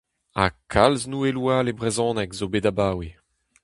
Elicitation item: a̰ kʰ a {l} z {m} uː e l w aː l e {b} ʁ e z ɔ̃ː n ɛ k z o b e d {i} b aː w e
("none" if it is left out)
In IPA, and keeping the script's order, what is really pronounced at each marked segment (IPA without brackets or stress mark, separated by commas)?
l, n, b, a